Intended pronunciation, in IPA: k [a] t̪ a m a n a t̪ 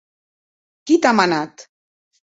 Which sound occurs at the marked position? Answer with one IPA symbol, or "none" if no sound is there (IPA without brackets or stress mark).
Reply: i